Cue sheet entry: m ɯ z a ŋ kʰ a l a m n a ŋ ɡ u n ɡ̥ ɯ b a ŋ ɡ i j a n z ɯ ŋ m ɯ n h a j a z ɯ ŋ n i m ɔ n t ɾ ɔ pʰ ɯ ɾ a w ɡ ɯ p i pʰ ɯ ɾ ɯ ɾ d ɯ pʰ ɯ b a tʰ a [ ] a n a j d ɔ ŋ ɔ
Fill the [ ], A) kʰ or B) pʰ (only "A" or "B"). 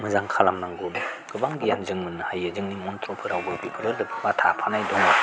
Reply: B